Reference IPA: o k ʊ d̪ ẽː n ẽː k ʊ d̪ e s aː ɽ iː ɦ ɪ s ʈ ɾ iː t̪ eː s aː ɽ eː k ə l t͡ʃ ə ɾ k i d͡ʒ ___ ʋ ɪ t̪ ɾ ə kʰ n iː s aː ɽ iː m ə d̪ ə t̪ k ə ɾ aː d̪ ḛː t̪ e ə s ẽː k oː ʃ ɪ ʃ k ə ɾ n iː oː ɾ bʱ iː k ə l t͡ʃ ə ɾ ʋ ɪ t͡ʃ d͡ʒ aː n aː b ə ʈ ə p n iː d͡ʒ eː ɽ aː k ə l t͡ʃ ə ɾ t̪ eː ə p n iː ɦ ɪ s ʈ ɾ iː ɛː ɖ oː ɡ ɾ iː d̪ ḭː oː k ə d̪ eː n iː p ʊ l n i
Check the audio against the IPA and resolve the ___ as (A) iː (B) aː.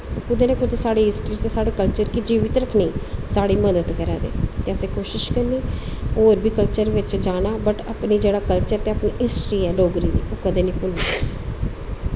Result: A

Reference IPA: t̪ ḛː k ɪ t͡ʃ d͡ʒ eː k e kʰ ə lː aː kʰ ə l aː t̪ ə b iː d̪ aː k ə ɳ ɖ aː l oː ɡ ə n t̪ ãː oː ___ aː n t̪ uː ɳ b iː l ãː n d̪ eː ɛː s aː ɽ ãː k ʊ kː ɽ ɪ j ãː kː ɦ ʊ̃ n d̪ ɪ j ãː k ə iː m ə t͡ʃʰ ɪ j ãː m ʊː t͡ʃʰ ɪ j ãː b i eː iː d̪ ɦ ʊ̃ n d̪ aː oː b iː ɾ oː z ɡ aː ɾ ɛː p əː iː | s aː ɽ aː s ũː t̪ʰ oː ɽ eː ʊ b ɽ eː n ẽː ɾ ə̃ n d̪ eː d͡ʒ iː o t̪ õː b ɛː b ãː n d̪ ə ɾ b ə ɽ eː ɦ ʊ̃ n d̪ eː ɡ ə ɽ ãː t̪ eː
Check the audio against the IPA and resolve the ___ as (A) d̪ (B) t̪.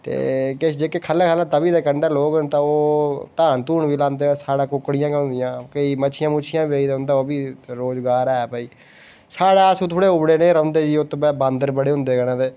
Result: B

